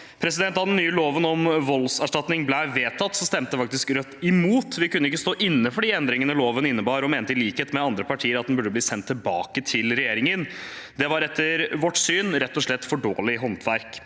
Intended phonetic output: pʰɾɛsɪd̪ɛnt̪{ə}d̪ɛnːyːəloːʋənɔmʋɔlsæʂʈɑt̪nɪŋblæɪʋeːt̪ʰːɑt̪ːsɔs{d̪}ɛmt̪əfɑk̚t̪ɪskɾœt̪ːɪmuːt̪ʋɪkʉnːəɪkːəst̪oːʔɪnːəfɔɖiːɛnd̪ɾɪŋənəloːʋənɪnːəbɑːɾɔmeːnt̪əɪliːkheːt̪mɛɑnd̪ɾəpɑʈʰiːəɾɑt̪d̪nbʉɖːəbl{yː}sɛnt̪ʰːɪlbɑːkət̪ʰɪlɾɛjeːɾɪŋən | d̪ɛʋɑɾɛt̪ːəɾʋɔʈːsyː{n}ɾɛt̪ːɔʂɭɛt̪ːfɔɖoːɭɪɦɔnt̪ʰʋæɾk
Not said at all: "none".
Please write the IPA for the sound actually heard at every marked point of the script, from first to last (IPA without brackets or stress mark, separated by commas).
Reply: ɑ, t̪, iː, n